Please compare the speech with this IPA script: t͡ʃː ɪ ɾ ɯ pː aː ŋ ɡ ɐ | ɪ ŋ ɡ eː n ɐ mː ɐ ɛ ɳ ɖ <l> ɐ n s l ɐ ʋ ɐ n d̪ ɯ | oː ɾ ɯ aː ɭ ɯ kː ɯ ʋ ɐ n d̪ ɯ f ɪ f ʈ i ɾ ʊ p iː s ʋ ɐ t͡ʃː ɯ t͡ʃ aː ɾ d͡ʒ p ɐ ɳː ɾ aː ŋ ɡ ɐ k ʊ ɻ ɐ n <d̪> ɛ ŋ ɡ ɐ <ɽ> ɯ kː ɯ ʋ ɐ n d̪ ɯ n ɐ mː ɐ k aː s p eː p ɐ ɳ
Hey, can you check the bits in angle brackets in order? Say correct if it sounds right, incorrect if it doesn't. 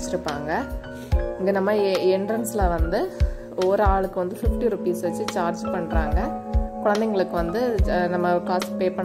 incorrect: ɾ, correct, incorrect: ɭ

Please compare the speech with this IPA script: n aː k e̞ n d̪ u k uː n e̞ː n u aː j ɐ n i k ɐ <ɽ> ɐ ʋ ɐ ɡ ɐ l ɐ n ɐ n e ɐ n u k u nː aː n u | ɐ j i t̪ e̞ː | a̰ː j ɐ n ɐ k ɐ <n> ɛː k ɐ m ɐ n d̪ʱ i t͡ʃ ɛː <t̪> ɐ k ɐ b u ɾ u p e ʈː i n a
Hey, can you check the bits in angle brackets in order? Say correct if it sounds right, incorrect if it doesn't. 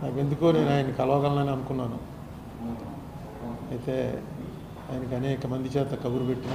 incorrect: l, correct, correct

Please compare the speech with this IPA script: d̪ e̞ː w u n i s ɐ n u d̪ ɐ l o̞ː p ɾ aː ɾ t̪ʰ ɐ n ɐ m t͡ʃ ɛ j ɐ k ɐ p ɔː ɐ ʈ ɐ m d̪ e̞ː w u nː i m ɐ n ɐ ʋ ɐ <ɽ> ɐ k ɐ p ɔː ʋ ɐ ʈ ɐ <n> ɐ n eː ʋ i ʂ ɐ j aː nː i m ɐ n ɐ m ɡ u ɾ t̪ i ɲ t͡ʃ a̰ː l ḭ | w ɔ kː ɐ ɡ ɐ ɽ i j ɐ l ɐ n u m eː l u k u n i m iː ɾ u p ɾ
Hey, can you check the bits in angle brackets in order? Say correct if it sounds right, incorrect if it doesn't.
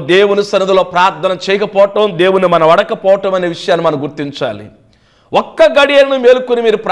correct, incorrect: m

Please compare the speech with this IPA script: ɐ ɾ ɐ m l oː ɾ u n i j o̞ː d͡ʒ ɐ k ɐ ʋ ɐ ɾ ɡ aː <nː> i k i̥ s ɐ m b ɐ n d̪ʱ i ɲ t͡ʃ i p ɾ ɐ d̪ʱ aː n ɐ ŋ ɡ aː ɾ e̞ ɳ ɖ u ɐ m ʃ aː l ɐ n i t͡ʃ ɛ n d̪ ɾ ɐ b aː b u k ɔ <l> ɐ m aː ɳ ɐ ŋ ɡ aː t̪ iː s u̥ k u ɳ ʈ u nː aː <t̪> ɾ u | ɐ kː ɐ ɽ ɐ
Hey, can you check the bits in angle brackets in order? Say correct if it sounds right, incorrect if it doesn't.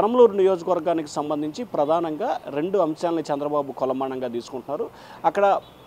incorrect: n, correct, incorrect: none

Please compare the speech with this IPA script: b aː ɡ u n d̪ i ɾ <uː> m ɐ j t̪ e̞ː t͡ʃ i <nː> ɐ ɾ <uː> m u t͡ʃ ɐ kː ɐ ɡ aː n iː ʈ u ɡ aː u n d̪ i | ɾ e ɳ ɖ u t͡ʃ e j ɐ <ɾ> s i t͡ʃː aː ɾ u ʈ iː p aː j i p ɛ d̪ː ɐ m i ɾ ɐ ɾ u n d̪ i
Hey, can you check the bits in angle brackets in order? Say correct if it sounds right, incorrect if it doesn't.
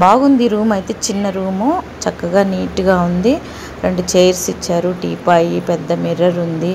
correct, correct, correct, correct

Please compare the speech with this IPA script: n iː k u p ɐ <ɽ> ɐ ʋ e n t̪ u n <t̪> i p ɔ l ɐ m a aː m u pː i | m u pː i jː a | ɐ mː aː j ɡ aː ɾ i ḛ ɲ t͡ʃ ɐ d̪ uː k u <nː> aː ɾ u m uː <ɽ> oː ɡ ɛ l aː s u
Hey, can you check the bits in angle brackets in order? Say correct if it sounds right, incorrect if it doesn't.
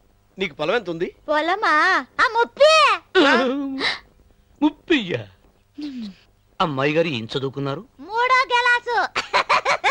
incorrect: l, incorrect: d̪, correct, correct

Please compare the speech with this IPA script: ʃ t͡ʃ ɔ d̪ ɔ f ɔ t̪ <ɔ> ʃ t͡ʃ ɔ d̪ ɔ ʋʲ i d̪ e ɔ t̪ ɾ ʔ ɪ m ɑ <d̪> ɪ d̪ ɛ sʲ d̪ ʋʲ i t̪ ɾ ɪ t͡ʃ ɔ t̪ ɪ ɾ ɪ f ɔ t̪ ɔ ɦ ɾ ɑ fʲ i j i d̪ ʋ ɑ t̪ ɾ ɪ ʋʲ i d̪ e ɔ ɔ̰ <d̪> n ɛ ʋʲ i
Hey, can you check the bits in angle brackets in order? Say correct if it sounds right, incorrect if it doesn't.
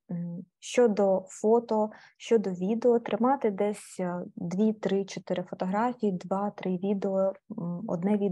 correct, incorrect: t̪, correct

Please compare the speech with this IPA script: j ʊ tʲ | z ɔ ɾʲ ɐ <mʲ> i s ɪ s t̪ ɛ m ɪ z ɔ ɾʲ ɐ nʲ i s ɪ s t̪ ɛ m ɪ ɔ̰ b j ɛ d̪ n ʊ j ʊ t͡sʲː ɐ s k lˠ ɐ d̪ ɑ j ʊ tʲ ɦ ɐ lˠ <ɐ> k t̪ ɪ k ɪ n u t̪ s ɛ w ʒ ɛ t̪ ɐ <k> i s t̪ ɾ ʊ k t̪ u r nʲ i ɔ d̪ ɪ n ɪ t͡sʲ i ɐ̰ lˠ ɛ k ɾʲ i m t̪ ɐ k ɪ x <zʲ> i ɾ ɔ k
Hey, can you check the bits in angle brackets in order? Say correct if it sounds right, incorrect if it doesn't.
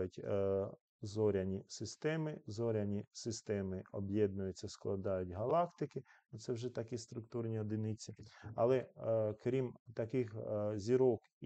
incorrect: nʲ, incorrect: ɑ, correct, correct

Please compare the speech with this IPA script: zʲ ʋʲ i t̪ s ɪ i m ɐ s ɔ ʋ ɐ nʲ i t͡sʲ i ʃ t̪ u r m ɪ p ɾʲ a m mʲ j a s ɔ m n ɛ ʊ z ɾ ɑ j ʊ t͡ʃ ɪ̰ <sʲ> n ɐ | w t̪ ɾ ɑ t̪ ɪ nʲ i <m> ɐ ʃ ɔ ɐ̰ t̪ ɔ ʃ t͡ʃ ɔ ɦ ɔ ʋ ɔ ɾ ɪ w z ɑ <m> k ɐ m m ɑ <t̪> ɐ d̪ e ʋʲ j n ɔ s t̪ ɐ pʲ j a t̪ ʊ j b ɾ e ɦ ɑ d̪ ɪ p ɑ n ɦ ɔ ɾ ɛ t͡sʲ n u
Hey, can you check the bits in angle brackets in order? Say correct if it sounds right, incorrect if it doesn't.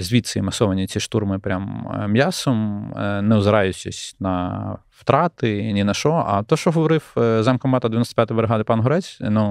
correct, incorrect: n, correct, correct

